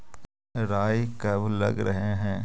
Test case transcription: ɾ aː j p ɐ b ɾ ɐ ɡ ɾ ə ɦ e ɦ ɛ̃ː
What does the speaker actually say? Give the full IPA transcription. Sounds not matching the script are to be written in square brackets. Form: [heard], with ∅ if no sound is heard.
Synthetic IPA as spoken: ɾ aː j [k] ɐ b [l] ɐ ɡ ɾ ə ɦ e ɦ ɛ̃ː